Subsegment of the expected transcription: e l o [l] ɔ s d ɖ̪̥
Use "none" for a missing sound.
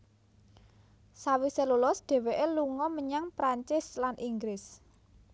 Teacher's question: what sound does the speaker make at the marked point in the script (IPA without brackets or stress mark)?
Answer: l